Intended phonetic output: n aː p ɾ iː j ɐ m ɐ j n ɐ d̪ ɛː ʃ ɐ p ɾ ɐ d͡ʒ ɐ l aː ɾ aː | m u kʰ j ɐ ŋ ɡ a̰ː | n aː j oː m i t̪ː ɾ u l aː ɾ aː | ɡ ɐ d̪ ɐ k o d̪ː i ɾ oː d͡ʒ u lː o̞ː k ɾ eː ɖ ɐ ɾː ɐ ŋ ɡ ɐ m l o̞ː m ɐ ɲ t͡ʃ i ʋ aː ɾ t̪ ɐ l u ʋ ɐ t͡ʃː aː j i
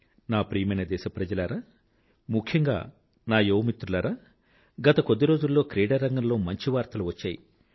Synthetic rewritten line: n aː p ɾ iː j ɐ m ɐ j n ɐ d̪ ɛː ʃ ɐ p ɾ ɐ d͡ʒ ɐ l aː ɾ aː | m u kʰ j ɐ ŋ ɡ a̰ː | n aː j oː m i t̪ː ɾ u l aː ɾ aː | ɡ ɐ t̪ ɐ k o d̪ː i ɾ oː d͡ʒ u lː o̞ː k ɾ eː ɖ ɐ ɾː ɐ ŋ ɡ ɐ m l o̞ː m ɐ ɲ t͡ʃ i ʋ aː ɾ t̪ ɐ l u ʋ ɐ t͡ʃː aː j i